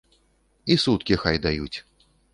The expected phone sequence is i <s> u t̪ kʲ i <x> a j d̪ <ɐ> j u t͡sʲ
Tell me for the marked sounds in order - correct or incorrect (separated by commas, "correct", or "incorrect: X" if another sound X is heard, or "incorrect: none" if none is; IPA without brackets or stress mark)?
correct, correct, incorrect: a